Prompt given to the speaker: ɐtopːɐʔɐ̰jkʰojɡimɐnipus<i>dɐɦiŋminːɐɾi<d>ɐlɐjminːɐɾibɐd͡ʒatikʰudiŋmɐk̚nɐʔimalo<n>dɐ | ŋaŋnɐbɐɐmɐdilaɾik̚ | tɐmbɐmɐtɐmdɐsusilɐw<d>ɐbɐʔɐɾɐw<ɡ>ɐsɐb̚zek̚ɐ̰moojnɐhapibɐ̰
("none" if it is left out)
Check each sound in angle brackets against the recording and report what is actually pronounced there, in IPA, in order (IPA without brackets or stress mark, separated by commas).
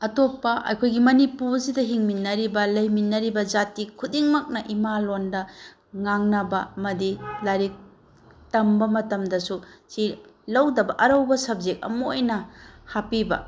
i, b, n, d, b